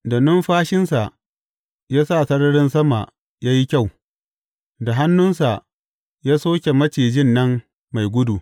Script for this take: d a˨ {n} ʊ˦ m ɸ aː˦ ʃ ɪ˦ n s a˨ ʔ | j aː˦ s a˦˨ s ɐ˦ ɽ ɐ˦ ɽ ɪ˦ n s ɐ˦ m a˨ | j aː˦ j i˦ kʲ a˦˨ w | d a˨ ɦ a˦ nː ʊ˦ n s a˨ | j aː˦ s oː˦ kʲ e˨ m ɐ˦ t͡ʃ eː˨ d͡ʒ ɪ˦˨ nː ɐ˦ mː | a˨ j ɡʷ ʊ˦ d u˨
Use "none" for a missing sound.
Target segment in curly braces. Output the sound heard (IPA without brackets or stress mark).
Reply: n